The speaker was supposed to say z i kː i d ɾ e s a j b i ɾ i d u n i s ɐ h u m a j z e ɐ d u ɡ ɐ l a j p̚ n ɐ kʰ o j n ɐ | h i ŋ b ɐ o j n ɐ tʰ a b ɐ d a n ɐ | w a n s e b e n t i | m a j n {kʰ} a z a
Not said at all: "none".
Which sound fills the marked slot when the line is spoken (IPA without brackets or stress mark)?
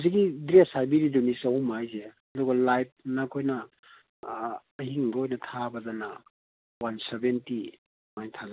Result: tʰ